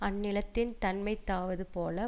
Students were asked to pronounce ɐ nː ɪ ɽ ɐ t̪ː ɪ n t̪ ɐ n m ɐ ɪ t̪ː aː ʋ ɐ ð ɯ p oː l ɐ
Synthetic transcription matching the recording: ɐ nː ɪ l ɐ t̪ː ɪ n t̪ ɐ n m ɐ ɪ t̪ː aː ʋ ɐ ð ɯ p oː l ɐ